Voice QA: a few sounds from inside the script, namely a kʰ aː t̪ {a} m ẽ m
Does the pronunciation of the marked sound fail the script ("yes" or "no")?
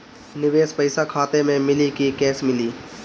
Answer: yes